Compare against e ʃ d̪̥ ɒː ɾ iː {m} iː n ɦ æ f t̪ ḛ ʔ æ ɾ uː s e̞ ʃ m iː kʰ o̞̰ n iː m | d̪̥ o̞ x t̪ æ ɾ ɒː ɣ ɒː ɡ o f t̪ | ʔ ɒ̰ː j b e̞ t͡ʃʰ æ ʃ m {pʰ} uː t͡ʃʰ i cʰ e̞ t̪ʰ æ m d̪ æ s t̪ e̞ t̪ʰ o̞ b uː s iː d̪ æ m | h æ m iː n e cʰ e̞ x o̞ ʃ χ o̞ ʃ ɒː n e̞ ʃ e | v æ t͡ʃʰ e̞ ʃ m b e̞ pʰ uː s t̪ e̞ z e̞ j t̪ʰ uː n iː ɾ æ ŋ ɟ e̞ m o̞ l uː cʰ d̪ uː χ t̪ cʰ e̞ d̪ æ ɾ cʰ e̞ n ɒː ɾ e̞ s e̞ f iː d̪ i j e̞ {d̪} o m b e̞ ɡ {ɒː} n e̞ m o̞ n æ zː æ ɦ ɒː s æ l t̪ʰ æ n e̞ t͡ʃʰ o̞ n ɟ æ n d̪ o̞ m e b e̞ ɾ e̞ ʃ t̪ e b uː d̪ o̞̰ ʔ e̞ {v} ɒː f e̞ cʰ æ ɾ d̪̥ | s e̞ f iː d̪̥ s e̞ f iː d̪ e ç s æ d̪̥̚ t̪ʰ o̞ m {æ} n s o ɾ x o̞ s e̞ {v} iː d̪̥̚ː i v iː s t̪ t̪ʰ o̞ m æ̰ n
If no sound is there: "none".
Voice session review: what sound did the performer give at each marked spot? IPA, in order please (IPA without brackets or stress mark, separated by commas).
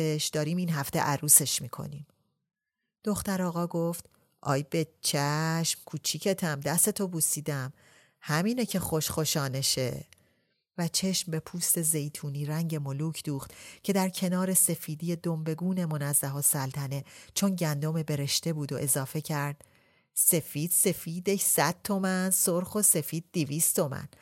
m, kʰ, d̪, uː, z, æ, f